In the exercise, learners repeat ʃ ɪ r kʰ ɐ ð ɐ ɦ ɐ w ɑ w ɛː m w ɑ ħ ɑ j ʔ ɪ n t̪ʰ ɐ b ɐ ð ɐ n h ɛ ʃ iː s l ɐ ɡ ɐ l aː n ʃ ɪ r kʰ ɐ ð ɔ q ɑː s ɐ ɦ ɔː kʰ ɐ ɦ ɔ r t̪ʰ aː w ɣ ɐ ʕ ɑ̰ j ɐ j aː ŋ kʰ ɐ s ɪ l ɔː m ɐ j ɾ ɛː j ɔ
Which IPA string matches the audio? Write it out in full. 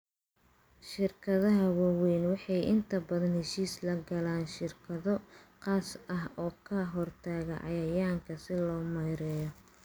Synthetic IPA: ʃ ɪ r kʰ ɐ ð ɐ ɦ ɐ w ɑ w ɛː n w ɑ ħ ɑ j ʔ ɪ n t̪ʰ ɐ b ɐ ð ɐ n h ɛ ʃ iː s l ɐ ɡ ɐ l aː n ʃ ɪ r kʰ ɐ ð ɔ q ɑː s ɐ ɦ ɔː kʰ ɐ ɦ ɔ r t̪ʰ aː ɣ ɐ ʕ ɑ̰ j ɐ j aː ŋ kʰ ɐ s ɪ l ɔː m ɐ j ɾ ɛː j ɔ